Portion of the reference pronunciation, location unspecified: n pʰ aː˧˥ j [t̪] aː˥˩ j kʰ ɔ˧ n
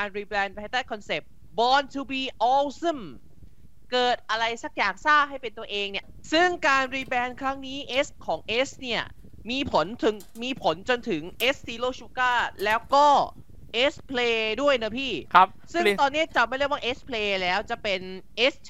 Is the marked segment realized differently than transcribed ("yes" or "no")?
no